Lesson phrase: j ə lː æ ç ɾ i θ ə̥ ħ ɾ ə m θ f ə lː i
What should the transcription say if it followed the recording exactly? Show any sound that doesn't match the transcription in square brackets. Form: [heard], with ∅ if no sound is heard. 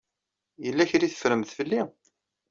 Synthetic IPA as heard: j ə lː æ ç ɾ i θ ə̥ [f] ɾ ə m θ f ə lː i